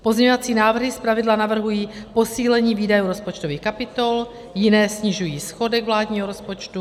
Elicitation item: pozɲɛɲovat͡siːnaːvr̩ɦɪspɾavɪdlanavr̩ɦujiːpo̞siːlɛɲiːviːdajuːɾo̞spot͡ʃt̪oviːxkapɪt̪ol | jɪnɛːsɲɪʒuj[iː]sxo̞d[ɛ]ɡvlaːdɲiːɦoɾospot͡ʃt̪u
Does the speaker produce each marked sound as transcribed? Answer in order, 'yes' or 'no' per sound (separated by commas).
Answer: yes, yes